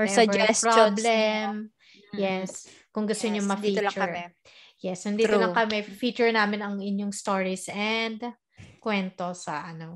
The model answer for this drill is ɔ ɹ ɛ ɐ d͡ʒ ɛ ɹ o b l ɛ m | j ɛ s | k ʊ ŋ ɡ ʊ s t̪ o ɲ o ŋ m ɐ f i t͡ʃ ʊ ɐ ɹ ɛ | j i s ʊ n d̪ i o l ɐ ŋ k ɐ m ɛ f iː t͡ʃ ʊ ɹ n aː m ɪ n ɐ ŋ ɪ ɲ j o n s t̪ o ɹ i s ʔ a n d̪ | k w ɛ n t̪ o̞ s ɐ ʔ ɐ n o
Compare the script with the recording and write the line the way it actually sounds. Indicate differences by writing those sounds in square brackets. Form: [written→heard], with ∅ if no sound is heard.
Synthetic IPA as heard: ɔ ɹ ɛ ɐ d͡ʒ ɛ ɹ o b l ɛ m | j ɛ s | k ʊ ŋ ɡ ʊ s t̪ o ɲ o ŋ m ɐ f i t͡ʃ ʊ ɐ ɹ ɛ | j [i→ɛ] s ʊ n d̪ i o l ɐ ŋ k ɐ m ɛ f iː t͡ʃ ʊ ɹ n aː m ɪ n ɐ ŋ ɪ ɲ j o [n→ŋ] s t̪ o ɹ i s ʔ [a→ɛ] n d̪ | k w ɛ n t̪ o̞ s ɐ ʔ ɐ n o